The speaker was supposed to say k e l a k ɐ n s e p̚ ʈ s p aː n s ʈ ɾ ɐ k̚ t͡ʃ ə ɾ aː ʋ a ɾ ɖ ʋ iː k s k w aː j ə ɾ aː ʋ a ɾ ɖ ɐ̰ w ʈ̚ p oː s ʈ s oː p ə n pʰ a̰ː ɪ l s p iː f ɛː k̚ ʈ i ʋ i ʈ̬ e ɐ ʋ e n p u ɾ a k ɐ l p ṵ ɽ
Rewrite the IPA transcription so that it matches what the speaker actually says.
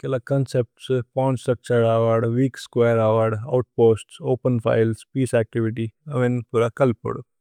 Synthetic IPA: k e l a k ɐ n s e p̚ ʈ s p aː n s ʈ ɾ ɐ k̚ t͡ʃ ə ɾ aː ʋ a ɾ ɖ ʋ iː k s k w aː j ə ɾ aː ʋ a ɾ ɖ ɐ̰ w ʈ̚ p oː s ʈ s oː p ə n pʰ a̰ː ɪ l s p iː s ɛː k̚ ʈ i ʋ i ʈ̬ i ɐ ʋ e n p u ɾ a k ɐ l p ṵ ɽ

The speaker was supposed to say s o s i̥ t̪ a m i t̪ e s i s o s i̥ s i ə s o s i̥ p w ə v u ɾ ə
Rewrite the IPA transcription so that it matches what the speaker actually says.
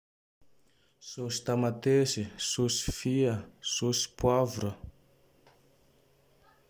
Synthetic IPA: s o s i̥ t̪ a m a t̪ e s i s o s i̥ f i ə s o s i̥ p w a v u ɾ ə

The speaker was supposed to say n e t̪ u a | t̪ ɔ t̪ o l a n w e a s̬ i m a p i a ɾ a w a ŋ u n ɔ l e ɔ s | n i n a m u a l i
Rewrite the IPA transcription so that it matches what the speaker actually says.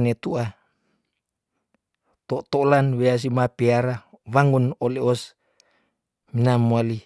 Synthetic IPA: n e t̪ u a | t̪ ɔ t̪ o l a n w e a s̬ i m a p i a ɾ a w a ŋ u n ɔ l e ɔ s | m i n a m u a l i

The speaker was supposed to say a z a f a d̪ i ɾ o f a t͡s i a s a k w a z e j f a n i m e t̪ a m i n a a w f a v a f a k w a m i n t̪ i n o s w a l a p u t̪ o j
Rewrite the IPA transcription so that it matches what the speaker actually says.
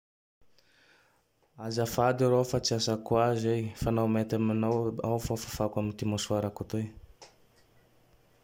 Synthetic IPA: a z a f a d̪ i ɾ o f a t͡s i a s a k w a z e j f a n a m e t̪ a m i n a a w f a f a f a k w a m i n t̪ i m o s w a ɾ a k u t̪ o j

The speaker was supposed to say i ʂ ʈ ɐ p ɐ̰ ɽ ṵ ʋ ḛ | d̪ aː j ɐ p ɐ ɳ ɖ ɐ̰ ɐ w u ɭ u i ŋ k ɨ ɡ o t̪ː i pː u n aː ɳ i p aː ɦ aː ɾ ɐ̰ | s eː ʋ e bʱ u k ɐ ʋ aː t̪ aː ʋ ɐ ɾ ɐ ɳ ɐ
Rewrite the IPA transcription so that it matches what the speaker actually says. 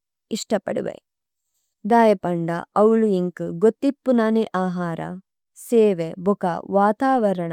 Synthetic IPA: i ʂ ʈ ɐ p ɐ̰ ɽ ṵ ʋ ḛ | d̪ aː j ɐ p ɐ ɳ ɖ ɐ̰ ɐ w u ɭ u i ŋ k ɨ ɡ o t̪ː i pː u n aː n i ʔ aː ɦ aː ɾ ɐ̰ | s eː ʋ e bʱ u k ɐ ʋ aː t̪ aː ʋ ɐ ɾ ɐ ɳ ɐ

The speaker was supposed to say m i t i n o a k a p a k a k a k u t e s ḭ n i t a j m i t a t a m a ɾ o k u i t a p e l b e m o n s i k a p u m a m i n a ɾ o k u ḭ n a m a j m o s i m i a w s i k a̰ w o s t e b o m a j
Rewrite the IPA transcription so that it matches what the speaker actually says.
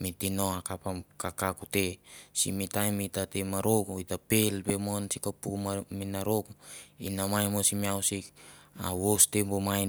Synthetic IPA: m i t i n o a k a p a k a k a k u t e s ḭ m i t a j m i t a t e m a ɾ o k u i t a p e l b e m o n s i k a p u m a m i n a ɾ o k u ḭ n a m a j m o s i m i a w s i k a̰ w o s t e b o m a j

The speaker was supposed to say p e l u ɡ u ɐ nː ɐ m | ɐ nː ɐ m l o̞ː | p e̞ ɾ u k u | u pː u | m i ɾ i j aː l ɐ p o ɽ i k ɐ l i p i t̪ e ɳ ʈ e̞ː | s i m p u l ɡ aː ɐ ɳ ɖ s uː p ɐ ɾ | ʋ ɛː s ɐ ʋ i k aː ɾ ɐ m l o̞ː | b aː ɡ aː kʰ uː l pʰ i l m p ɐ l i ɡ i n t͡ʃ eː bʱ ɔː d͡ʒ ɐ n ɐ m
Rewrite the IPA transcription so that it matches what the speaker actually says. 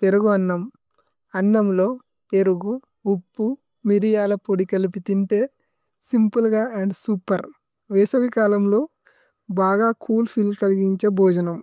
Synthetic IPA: p e ɾ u ɡ u ɐ nː ɐ m | ɐ nː ɐ m l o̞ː | p e̞ ɾ u ɡ u | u pː u | m i ɾ i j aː l ɐ p o ɽ i k ɐ l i p i t̪ i ɳ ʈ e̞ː | s i m p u l ɡ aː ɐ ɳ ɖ s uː p ɐ ɾ | ʋ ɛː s ɐ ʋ i k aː l ɐ m l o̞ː | b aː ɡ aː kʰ uː l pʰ i l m k ɐ l i ɡ i ɲ t͡ʃ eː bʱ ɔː d͡ʒ ɐ n ɐ m

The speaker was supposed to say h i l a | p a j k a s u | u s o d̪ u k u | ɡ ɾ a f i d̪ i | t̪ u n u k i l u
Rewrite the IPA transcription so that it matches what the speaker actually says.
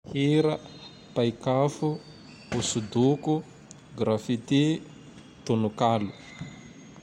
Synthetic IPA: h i ɾ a | p a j k a f u | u s u d̪ u k u | ɡ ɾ a f i t̪ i | t̪ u n u k a l u

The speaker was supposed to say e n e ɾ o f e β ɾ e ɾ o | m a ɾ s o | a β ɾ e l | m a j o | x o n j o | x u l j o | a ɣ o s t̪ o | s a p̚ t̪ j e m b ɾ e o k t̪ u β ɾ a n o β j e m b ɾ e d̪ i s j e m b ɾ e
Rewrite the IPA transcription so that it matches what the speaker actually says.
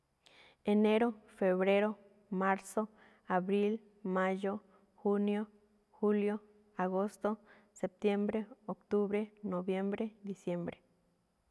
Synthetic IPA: e n e ɾ o f e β ɾ e ɾ o | m a ɾ s o | a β ɾ i l | m a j o | x u n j o | x u l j o | a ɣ o s t̪ o | s e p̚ t̪ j e m b ɾ e o k t̪ u β ɾ e n o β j e m b ɾ e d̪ i s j e m b ɾ e

